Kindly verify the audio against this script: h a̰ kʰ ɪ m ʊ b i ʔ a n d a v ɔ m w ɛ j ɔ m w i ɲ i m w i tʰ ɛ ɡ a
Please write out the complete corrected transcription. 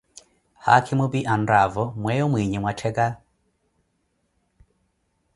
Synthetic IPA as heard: h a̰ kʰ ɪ m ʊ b i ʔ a n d a v ɔ m w ɛ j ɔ m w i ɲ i m w a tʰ ɛ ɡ a